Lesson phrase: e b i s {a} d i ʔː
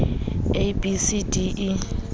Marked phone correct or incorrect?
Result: incorrect